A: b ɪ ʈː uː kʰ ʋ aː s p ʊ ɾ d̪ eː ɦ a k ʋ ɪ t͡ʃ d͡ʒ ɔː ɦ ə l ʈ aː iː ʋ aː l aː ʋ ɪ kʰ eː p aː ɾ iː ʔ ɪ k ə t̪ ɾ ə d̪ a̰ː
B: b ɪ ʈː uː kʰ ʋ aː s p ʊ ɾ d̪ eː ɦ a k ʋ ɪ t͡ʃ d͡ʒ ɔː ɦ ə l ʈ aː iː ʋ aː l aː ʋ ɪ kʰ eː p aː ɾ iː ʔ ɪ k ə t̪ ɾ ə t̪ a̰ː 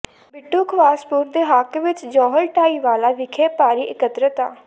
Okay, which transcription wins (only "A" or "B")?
B